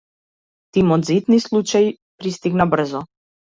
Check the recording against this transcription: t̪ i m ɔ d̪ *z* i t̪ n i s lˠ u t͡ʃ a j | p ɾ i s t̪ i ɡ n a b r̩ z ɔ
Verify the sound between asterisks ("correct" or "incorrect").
correct